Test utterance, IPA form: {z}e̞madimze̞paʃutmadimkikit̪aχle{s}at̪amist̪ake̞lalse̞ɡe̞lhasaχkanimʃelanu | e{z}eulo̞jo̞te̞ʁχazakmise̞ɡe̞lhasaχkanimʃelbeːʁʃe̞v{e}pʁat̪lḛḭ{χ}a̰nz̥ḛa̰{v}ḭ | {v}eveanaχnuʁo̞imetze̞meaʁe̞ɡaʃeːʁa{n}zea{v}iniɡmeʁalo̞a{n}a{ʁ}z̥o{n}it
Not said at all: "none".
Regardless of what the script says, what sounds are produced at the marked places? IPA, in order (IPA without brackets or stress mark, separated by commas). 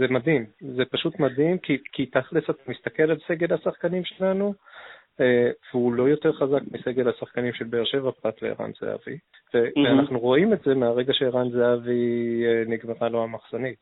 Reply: z, s, v, a, ʁ, v, v, n, v, m, χ, n